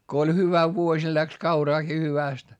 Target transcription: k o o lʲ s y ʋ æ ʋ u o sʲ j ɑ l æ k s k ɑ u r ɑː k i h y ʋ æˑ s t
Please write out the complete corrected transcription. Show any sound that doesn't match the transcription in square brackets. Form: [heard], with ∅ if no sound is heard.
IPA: k o o lʲ [h] y ʋ æ ʋ u o sʲ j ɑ l æ k s k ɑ u r ɑː k i h y ʋ æˑ s t